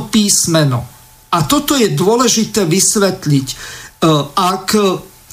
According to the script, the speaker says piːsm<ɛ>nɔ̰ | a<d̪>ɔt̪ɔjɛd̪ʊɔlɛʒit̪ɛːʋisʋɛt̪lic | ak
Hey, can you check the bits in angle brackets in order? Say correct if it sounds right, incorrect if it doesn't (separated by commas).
correct, incorrect